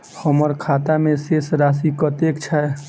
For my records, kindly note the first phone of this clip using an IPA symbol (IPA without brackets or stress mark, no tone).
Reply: h